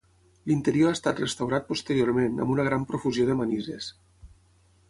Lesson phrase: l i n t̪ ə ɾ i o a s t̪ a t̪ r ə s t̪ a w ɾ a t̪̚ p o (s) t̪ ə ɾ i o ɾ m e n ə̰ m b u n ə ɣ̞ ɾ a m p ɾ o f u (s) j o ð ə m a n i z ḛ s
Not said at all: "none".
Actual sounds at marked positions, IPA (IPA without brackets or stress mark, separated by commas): s, z